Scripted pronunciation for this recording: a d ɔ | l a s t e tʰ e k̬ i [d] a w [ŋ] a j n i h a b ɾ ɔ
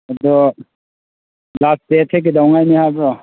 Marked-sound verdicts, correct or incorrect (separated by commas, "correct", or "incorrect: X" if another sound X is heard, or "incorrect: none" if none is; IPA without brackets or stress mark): correct, correct